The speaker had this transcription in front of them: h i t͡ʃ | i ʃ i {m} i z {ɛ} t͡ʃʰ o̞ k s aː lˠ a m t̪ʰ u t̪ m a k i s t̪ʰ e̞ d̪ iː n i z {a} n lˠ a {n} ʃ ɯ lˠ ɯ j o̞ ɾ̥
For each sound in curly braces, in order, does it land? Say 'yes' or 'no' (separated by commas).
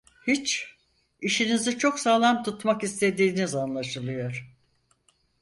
no, no, yes, no